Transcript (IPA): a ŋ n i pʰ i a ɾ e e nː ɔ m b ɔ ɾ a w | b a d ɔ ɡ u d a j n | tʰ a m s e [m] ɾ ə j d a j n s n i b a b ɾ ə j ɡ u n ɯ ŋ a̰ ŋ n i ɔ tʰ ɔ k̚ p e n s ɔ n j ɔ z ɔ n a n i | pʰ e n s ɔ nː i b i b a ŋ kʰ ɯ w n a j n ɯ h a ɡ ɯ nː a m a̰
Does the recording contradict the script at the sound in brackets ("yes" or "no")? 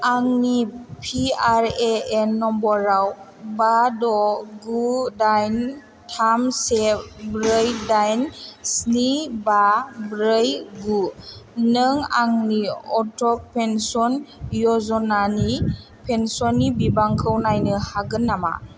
yes